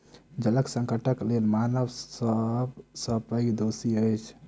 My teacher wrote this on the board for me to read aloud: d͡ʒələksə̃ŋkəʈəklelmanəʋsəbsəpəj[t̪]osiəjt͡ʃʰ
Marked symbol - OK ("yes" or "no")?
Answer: no